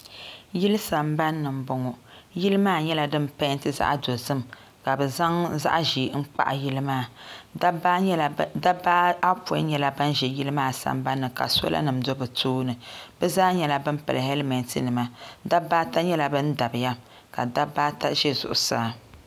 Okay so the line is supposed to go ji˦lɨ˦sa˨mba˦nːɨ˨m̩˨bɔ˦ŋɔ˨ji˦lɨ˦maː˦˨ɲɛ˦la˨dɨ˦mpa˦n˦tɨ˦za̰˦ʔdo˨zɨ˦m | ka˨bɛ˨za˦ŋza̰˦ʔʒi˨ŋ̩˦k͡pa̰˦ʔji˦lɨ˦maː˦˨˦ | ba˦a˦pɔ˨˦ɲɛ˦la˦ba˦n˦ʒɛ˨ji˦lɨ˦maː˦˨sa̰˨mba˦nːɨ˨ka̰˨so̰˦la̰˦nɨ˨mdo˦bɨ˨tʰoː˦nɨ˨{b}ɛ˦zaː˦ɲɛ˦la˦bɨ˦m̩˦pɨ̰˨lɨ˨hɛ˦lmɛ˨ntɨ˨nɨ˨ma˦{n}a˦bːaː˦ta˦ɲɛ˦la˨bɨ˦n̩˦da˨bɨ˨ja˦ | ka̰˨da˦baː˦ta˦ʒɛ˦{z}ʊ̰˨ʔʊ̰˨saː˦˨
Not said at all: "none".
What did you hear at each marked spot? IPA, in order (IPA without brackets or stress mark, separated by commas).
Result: b, d, z